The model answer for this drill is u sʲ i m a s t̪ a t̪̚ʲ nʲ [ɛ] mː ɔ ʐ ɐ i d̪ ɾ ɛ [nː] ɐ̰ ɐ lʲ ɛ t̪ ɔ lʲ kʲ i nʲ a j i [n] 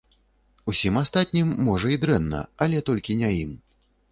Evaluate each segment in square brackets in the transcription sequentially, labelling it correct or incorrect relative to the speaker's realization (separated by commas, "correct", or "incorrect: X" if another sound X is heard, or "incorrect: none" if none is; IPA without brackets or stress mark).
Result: incorrect: i, correct, incorrect: m